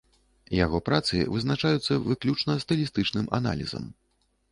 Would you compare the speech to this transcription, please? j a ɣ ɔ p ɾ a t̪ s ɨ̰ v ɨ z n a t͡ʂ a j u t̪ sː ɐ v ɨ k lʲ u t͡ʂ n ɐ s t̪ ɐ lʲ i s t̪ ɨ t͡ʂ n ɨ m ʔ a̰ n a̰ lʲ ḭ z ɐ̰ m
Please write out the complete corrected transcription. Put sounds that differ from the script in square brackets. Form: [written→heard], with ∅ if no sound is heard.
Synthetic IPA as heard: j a ɣ ɔ p ɾ a t̪ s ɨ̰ v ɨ z n a t͡ʂ a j u t̪ sː ɐ v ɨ k lʲ u t͡ʂ n ɐ s t̪ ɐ lʲ i s t̪ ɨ t͡ʂ n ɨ m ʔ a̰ n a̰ lʲ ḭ z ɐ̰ m

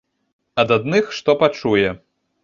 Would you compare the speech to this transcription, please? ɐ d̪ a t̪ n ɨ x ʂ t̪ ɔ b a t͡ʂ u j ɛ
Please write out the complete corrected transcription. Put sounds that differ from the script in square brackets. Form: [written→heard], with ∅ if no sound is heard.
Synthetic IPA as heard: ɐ d̪ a [t̪→d̪] n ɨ x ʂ t̪ ɔ [b→p] a t͡ʂ u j ɛ

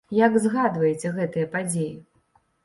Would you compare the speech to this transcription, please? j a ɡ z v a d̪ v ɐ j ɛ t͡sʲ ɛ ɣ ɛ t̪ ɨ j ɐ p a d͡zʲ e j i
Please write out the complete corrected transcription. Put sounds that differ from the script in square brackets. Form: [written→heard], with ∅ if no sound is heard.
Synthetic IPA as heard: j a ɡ z [v→ɣ] a d̪ v ɐ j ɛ t͡sʲ ɛ ɣ ɛ t̪ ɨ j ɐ p a d͡zʲ e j i

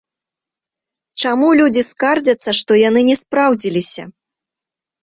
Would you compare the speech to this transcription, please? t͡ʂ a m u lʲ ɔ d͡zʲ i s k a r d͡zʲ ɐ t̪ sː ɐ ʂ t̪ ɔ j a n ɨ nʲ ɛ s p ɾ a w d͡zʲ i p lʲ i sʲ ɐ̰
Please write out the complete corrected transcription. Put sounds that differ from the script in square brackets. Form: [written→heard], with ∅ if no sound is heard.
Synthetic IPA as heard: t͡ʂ a m u lʲ [ɔ→u] d͡zʲ i s k a r d͡zʲ ɐ t̪ sː ɐ ʂ t̪ ɔ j a n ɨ nʲ ɛ s p ɾ a w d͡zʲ i [p→∅] lʲ i sʲ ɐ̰

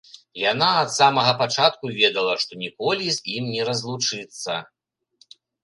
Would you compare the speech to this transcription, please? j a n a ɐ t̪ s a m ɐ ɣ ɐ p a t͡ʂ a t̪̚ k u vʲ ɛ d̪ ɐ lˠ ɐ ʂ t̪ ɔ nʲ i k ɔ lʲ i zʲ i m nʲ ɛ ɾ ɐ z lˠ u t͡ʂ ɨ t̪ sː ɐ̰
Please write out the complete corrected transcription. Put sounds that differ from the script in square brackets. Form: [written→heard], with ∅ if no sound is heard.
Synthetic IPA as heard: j a n a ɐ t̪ s a m ɐ ɣ ɐ p a t͡ʂ a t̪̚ k u vʲ ɛ d̪ ɐ lˠ ɐ ʂ t̪ ɔ nʲ i k ɔ lʲ i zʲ i m nʲ ɛ ɾ ɐ z lˠ u t͡ʂ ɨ t̪ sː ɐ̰

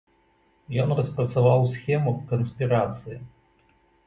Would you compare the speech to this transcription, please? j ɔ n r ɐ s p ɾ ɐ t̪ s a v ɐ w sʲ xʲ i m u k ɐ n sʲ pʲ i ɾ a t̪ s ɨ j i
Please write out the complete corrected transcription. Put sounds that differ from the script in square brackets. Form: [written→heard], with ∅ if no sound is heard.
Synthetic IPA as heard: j ɔ n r ɐ s p ɾ ɐ t̪ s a v [ɐ→a] w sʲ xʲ [i→ɛ] m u k ɐ n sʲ pʲ i ɾ a t̪ s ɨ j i

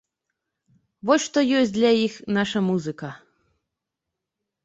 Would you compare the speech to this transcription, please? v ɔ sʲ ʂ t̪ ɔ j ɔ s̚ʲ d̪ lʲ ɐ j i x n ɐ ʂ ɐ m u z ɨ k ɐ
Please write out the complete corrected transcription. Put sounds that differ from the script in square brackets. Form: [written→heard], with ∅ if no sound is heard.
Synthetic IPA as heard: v ɔ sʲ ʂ t̪ ɔ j ɔ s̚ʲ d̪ lʲ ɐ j i x n [ɐ→a] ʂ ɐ m u z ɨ k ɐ

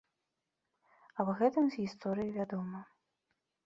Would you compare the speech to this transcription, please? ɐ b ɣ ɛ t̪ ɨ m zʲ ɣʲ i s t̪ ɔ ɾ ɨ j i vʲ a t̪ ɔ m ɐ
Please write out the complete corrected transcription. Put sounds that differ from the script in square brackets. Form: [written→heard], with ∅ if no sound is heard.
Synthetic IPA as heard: ɐ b ɣ ɛ t̪ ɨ m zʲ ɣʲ i s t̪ ɔ ɾ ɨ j i vʲ a [t̪→d̪] ɔ m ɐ

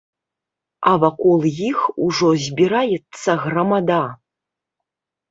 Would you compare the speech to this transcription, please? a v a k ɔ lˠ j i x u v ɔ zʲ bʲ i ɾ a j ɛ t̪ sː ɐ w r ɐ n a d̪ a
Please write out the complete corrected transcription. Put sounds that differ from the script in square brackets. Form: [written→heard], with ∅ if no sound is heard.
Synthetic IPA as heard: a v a k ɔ lˠ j i x u [v→ʐ] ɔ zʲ bʲ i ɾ a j ɛ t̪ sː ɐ [w→ɣ] r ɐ [n→m] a d̪ a

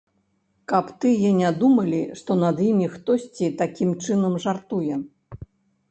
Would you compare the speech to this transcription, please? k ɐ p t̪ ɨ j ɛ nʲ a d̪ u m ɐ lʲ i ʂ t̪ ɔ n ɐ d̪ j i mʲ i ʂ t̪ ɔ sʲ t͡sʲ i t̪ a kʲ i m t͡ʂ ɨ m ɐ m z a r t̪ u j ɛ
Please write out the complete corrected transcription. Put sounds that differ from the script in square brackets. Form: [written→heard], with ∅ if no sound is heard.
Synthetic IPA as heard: k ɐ p t̪ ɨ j ɛ nʲ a d̪ u m ɐ lʲ i ʂ t̪ ɔ n ɐ d̪ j i mʲ i [ʂ→x] t̪ ɔ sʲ t͡sʲ i t̪ a kʲ i m t͡ʂ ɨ [m→n] ɐ m [z→ʐ] a r t̪ u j ɛ

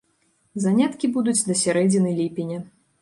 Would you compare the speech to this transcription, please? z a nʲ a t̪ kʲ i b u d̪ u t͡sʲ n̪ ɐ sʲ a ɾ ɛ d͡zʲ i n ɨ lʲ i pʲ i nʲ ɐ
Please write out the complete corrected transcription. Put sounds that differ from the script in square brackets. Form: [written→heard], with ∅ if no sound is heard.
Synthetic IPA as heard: z a nʲ a t̪ kʲ i b u d̪ u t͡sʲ [n̪→d̪] ɐ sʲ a ɾ ɛ d͡zʲ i n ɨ lʲ i pʲ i nʲ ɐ

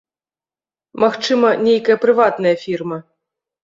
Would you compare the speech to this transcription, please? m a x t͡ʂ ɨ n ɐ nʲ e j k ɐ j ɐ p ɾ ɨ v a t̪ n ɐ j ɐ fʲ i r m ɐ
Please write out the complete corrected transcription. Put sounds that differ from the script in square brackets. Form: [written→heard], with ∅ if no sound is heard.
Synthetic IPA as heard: m a x t͡ʂ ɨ [n→m] ɐ nʲ e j k ɐ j ɐ p ɾ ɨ v a t̪ n ɐ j ɐ fʲ i r m ɐ

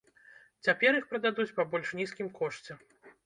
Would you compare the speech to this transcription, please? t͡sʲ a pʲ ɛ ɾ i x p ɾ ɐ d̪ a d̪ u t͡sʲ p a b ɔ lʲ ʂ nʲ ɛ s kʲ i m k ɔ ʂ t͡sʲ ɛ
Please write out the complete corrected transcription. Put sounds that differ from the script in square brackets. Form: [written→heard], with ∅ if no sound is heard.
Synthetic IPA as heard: t͡sʲ a pʲ ɛ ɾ i x p ɾ ɐ d̪ a d̪ u t͡sʲ p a b ɔ lʲ ʂ nʲ [ɛ→i] s kʲ i m k ɔ ʂ t͡sʲ ɛ

